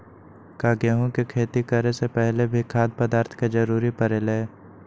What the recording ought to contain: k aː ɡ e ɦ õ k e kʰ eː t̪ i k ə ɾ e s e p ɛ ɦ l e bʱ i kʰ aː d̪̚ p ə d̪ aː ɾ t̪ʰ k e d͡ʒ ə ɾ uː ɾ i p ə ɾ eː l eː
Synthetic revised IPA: k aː ɡ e ɦ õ k e kʰ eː t̪ i k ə ɾ e s e p ɛ ɦ l e bʱ i kʰ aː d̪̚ p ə d̪ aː ɾ t̪ʰ k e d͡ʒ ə ɾ uː ɾ i p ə ɾ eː l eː